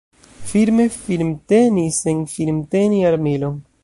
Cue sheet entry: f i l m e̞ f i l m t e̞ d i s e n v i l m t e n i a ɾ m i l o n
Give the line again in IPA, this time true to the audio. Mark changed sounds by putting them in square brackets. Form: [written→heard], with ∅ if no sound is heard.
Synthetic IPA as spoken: f i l m e̞ f i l m t e̞ [d→n] i s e n [v→f] i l m t e n i a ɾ m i l o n